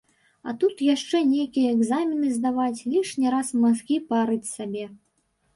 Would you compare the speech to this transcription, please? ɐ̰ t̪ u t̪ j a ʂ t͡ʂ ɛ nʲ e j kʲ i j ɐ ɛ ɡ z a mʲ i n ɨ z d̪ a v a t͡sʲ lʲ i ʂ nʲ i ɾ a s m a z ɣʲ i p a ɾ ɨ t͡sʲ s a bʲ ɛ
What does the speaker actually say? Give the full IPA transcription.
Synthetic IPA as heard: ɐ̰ t̪ u t̪ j a ʂ t͡ʂ ɛ nʲ e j kʲ i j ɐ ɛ ɡ z a mʲ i n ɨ z d̪ a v a t͡sʲ lʲ i ʂ nʲ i ɾ a s m a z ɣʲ i p a ɾ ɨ t͡sʲ s a bʲ ɛ